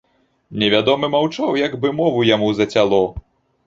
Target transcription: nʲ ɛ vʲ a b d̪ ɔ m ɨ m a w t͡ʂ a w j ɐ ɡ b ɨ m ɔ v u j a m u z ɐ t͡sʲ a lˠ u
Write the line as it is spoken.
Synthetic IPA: nʲ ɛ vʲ a d̪ ɔ m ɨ m a w t͡ʂ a w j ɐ ɡ b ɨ m ɔ v u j a m u z ɐ t͡sʲ a lˠ ɔ